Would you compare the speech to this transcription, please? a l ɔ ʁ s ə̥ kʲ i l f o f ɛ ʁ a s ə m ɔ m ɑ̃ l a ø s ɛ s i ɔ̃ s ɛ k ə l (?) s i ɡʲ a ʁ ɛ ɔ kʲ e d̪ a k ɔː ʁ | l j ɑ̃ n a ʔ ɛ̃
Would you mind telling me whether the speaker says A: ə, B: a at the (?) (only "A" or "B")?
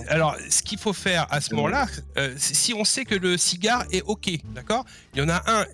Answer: A